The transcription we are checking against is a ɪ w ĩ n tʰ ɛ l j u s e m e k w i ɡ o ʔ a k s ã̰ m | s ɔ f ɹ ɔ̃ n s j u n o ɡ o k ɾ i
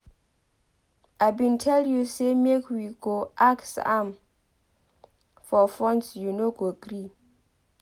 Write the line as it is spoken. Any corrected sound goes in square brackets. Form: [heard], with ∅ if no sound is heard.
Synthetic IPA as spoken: a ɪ [b] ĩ n tʰ ɛ l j u s e m e k w i ɡ o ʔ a k s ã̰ m | [f] ɔ f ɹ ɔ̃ n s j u n o ɡ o [ɡ] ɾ i